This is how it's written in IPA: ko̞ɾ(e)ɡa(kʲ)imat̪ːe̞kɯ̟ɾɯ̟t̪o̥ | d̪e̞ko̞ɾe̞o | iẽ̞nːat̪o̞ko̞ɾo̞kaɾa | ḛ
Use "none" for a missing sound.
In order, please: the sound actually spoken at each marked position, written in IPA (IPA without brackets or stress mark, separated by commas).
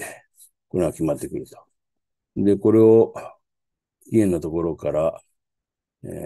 e, kʲ